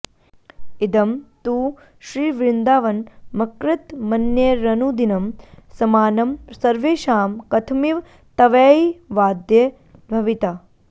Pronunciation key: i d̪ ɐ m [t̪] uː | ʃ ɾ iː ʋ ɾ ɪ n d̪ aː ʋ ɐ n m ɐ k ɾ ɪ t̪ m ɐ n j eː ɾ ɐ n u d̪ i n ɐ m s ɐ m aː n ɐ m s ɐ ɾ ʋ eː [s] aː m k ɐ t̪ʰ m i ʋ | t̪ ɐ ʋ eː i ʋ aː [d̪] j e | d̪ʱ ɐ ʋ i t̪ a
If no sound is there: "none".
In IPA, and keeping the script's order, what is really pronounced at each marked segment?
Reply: t̪, ʃ, d̪

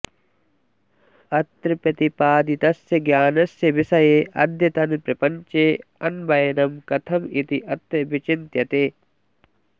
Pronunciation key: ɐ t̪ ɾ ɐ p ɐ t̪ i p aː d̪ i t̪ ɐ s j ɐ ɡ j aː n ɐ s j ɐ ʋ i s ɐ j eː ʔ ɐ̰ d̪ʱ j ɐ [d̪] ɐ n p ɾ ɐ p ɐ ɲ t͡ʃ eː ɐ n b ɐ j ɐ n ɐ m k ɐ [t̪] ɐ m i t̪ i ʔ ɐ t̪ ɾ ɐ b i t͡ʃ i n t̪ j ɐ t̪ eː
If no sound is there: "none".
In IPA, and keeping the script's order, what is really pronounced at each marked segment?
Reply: t̪, t̪ʰ

